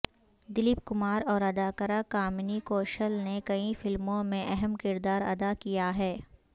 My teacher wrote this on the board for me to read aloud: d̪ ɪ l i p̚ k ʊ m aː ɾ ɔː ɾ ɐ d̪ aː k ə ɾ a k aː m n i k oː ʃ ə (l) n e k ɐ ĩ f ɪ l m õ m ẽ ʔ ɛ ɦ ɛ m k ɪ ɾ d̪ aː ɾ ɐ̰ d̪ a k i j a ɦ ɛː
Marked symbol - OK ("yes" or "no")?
yes